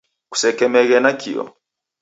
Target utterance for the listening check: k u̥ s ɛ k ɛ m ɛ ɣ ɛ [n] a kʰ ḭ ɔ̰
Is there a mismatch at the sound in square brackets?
no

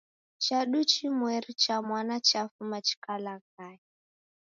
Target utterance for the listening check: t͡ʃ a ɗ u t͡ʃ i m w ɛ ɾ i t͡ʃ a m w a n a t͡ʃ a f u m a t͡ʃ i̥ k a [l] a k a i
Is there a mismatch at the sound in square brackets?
no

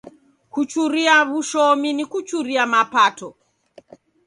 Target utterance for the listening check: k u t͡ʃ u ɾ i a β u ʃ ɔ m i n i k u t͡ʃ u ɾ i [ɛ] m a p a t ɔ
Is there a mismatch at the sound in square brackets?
yes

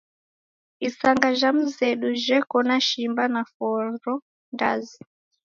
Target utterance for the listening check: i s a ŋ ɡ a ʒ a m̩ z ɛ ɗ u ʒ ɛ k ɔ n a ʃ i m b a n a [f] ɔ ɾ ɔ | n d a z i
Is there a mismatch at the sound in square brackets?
no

